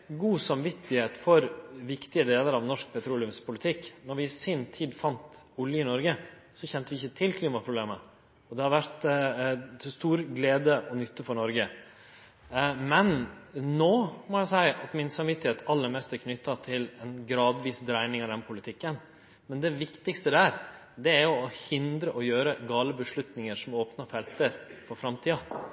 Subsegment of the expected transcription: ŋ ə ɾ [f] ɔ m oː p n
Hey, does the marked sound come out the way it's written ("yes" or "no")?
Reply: no